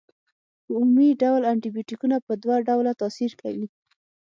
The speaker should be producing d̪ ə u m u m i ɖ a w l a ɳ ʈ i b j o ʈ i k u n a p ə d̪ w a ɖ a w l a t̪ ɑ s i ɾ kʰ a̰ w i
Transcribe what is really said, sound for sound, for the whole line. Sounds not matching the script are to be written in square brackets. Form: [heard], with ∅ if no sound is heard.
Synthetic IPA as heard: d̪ ə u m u m i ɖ a w l a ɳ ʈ i b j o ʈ i k u n a p ə d̪ w a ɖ a w l a t̪ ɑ s i ɾ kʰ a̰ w i